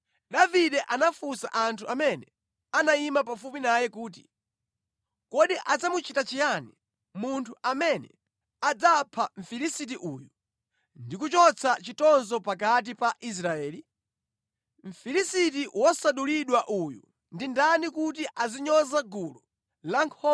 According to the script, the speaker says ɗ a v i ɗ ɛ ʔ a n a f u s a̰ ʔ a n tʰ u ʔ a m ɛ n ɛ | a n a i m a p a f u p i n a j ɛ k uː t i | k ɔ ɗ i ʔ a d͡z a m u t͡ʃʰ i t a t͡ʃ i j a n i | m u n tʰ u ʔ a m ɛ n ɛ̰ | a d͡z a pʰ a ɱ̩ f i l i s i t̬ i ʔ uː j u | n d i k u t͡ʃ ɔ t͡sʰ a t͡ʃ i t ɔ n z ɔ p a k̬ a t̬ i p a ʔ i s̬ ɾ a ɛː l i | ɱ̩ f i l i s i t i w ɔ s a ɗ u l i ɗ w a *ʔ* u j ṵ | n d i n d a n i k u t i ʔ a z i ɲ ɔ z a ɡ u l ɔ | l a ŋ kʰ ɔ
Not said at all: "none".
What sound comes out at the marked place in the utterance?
ʔ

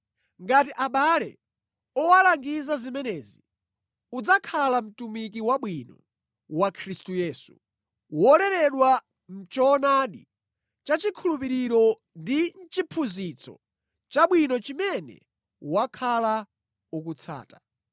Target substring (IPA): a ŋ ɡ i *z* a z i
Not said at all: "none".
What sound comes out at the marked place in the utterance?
z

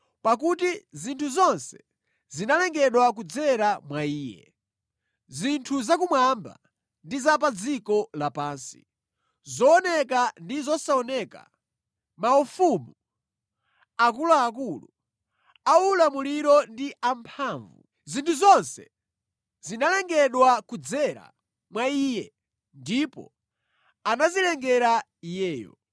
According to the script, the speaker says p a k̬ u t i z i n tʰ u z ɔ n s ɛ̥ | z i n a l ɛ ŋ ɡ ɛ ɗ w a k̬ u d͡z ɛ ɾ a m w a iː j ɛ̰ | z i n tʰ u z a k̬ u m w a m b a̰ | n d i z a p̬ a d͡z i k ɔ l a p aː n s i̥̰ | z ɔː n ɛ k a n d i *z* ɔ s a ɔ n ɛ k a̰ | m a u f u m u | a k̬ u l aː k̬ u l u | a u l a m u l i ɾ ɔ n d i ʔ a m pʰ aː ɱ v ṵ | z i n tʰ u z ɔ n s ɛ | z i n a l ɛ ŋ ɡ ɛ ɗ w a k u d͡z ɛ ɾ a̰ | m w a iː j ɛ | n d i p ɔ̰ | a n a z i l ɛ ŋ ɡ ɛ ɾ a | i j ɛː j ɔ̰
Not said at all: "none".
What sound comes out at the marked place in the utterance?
z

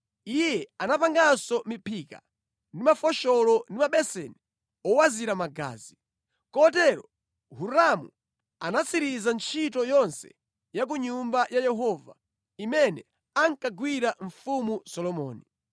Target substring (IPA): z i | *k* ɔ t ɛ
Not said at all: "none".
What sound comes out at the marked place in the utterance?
k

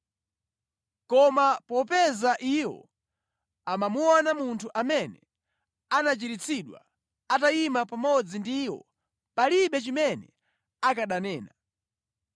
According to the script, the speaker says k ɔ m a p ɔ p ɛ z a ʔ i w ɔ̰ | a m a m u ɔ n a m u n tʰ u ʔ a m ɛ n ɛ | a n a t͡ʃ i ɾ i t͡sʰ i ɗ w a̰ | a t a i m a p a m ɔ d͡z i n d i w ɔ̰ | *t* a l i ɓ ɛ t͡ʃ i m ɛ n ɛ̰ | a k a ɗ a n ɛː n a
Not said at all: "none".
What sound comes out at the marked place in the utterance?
p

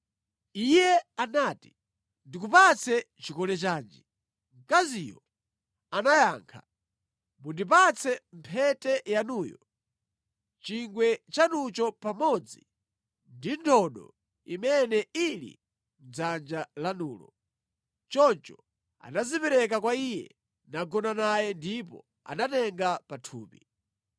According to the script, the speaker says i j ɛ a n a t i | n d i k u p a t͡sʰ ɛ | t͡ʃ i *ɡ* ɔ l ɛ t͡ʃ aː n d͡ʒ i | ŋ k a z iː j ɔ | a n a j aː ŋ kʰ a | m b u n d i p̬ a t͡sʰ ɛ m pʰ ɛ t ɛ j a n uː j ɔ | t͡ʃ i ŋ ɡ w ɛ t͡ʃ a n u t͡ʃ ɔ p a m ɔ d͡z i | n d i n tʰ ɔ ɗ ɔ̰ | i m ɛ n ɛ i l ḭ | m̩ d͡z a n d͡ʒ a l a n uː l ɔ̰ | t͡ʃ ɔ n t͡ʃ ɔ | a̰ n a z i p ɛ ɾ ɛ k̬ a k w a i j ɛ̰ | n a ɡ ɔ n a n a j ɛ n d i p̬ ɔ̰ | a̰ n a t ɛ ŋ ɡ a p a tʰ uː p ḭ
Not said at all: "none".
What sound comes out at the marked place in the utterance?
k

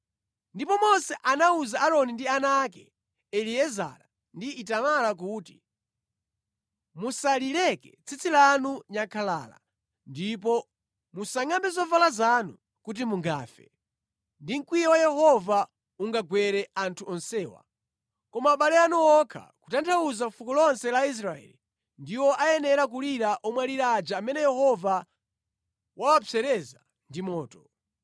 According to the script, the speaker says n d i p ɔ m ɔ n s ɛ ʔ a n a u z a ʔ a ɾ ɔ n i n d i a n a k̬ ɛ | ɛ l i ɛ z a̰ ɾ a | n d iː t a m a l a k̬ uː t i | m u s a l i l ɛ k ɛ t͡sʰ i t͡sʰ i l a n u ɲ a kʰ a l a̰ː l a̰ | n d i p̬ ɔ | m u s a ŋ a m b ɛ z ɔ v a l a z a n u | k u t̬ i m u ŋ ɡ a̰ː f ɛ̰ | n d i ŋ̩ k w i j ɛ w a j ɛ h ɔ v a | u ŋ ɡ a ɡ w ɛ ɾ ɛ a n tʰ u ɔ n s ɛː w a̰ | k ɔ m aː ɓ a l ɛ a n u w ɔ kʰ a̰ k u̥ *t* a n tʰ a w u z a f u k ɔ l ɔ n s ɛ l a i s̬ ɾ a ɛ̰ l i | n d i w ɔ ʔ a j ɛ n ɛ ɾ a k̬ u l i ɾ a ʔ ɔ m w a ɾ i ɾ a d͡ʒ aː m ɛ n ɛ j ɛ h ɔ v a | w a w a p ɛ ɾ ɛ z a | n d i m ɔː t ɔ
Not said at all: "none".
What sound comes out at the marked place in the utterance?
t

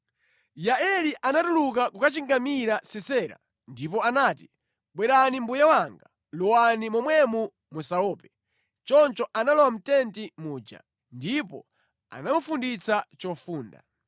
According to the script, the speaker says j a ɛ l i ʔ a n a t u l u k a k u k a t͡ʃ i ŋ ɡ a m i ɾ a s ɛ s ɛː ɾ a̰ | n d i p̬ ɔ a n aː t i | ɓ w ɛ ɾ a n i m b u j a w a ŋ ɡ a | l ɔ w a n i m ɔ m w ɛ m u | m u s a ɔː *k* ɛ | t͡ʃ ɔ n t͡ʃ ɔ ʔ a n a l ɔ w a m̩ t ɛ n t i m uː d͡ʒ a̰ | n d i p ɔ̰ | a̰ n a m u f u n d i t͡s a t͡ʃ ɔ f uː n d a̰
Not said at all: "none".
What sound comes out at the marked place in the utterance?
p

